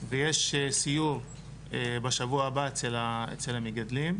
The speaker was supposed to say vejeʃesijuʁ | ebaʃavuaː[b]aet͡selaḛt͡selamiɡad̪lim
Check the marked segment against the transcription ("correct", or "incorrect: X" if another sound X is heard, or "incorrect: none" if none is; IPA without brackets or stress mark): correct